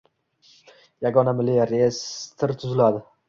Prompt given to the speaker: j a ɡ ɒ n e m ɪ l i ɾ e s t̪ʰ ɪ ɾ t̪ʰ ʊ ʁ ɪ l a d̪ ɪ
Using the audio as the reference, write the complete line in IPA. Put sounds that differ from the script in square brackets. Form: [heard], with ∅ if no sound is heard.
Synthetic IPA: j a ɡ ɒ n [a] m ɪ l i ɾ e s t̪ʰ ɪ ɾ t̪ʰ ʊ [z] ɪ l a d̪ ɪ